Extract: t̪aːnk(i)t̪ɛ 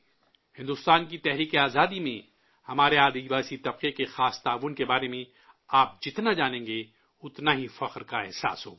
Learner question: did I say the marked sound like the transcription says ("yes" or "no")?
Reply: yes